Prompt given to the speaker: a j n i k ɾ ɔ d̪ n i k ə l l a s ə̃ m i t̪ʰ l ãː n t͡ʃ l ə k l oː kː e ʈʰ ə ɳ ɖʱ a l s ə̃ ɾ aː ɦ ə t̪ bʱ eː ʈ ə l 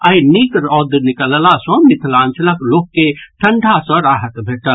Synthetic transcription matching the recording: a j n i k ɾ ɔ d̪ n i k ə l l a s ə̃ m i t̪ʰ l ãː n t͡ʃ l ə k l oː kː e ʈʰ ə ɳ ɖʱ a s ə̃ ɾ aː ɦ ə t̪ bʱ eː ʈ ə l